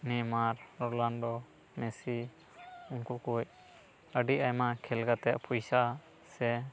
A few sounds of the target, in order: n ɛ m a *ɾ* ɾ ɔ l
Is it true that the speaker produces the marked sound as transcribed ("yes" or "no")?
yes